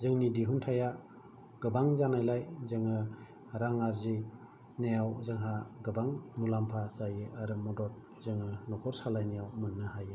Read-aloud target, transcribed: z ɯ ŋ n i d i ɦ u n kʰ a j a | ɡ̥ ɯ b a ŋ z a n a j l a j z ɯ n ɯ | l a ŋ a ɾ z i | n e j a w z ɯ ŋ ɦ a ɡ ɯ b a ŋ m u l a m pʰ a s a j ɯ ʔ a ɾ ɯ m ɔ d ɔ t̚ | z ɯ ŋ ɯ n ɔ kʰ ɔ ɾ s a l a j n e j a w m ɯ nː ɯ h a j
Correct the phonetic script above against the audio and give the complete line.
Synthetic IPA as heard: z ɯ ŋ n i d i ɦ u n tʰ a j a | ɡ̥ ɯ b a ŋ z a n a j l a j z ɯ ŋ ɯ | ɾ a ŋ a ɾ z i | n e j a w z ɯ ŋ ɦ a ɡ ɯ b a ŋ m u l a m pʰ a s a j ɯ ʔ a ɾ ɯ m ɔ d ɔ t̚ | z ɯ ŋ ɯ n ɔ kʰ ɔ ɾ s a l a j n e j a w m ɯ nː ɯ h a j